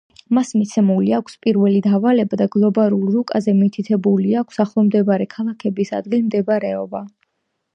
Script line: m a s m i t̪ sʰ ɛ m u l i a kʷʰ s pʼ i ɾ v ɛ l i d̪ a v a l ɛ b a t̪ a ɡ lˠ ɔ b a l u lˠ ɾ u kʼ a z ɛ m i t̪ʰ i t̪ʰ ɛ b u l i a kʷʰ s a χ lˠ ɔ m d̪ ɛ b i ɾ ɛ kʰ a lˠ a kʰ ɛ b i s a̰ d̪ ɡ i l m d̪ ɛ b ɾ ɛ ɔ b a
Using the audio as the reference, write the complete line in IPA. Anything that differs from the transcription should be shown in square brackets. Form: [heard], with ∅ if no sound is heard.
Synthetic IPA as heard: m a s m i t̪ sʰ ɛ m u l i a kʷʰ s pʼ i ɾ v ɛ l i d̪ a v a l ɛ b a [d̪] a ɡ lˠ ɔ b a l u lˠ ɾ u kʼ a z ɛ m i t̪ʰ i t̪ʰ ɛ b u l i a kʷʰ s a χ lˠ ɔ m d̪ ɛ b [a] ɾ ɛ kʰ a lˠ a kʰ ɛ b i s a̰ d̪ ɡ i l m d̪ ɛ b ɾ ɛ ɔ b a